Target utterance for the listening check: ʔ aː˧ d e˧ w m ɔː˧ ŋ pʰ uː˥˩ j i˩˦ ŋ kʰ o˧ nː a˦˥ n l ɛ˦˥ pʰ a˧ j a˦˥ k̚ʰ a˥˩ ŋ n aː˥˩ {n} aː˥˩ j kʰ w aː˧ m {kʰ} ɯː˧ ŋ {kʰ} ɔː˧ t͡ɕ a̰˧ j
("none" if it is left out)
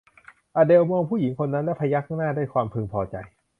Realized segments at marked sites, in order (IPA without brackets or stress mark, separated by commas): d, pʰ, pʰ